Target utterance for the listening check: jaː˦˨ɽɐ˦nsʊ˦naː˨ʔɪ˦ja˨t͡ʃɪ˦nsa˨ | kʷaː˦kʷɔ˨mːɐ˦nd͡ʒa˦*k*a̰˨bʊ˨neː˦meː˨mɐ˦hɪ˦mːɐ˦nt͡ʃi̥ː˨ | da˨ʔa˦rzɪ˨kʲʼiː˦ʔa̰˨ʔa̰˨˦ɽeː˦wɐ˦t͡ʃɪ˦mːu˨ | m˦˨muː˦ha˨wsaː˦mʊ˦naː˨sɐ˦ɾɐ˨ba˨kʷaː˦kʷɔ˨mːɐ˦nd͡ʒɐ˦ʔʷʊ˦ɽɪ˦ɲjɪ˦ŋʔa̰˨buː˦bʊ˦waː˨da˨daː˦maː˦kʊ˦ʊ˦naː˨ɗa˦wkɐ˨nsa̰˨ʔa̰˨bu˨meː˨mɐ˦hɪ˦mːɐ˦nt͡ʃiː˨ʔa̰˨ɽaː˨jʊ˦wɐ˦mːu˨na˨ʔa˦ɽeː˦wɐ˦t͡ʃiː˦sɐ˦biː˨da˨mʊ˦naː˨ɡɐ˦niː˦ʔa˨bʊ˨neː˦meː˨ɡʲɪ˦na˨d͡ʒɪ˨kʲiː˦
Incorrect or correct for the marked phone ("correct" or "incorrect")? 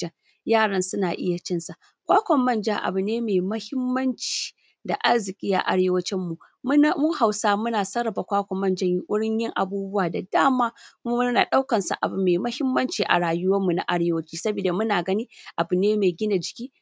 incorrect